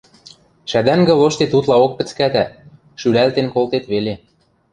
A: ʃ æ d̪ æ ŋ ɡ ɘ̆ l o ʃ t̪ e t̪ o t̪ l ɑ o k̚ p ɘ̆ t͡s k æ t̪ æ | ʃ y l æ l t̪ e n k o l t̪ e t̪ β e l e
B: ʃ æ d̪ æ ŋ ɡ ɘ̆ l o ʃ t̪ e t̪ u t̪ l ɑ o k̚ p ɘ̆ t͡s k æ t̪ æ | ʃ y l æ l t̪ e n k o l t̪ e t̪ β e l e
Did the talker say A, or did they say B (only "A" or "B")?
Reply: B